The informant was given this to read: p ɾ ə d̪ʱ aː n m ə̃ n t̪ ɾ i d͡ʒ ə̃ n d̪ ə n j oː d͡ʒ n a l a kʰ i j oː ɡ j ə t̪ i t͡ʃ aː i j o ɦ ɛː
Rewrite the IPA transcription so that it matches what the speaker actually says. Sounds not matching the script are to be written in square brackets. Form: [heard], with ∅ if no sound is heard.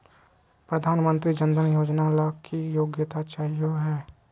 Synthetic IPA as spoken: p ɾ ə d̪ʱ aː n m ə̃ n t̪ ɾ i d͡ʒ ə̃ n d̪ ə n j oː d͡ʒ n a l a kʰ i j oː ɡ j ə t̪ [a] t͡ʃ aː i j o ɦ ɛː